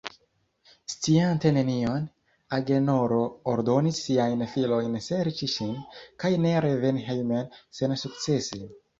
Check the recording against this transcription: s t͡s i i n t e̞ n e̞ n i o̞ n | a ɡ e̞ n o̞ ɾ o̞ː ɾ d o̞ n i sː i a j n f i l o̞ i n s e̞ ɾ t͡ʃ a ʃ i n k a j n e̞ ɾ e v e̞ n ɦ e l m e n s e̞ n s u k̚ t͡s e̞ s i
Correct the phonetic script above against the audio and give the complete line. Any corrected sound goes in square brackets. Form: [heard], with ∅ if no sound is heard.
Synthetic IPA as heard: s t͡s i [a] n t e̞ n e̞ n i o̞ n | a ɡ e̞ n o̞ ɾ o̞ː ɾ d o̞ n i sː i a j n f i l o̞ [j] n s e̞ ɾ t͡ʃ [i] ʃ i n k a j n e̞ ɾ e v e̞ n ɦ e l m e n s e̞ n s u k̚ t͡s e̞ s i